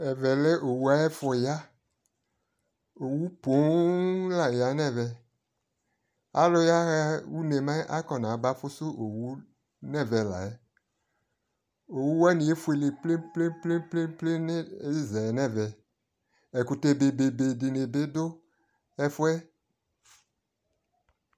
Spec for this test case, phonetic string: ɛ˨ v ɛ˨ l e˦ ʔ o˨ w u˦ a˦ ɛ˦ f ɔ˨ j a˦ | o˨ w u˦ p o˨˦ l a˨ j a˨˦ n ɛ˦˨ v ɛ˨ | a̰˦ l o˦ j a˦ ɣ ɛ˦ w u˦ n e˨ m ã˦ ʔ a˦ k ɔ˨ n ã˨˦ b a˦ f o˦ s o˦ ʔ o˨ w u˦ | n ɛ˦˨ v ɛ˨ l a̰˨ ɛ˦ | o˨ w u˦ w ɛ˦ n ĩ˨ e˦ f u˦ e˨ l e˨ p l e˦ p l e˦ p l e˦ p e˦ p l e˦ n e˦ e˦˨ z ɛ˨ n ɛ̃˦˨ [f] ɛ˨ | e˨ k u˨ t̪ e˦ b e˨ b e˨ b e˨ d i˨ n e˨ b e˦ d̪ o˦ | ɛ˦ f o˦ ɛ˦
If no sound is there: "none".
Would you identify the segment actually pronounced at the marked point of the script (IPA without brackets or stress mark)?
v